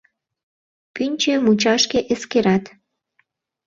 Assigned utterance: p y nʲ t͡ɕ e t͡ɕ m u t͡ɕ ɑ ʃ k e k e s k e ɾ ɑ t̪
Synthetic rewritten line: p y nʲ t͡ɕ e m u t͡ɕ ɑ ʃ k e ʔ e s k e ɾ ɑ t̪